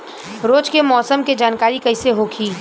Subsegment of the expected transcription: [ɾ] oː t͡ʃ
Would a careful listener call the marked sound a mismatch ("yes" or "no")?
no